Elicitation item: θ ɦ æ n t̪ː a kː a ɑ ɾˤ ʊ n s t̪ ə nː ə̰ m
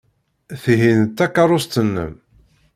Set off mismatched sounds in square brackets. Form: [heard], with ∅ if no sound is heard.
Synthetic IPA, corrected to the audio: θ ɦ [i] n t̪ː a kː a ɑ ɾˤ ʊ [∅] s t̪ ə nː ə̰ m